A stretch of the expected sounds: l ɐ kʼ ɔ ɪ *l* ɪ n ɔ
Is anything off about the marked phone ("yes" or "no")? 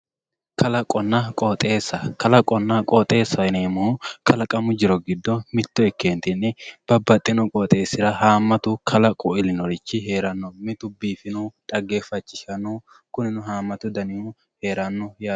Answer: no